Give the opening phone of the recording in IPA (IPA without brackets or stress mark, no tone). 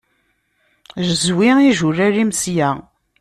ʒ